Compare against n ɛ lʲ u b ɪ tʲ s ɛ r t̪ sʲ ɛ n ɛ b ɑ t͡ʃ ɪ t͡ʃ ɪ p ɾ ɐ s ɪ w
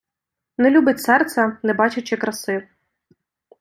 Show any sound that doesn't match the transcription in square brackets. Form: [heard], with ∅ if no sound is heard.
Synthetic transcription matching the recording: n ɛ lʲ u b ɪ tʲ s ɛ r t̪ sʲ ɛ n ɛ b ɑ t͡ʃ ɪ t͡ʃ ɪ [k] ɾ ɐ s ɪ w